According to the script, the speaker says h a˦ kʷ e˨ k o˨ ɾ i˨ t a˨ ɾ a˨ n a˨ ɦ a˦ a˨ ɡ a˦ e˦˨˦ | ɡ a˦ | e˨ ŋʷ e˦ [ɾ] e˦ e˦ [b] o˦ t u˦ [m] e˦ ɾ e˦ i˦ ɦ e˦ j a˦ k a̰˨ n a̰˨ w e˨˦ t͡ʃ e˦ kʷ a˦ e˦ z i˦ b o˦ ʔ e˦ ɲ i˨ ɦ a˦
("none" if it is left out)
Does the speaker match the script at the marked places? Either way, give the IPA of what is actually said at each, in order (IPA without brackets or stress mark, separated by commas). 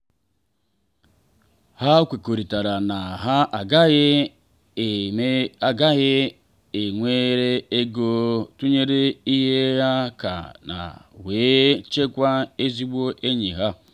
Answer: ɾ, ɡ, ɲ